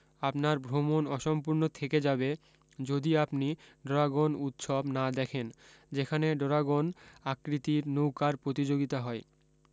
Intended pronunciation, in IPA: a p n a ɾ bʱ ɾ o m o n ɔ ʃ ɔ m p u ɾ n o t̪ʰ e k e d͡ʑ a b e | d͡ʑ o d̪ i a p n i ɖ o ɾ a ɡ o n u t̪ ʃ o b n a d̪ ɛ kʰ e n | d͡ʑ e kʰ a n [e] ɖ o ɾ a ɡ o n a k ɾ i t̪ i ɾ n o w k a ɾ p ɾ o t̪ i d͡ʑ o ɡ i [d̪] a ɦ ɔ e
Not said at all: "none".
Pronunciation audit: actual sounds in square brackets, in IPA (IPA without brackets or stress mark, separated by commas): e, t̪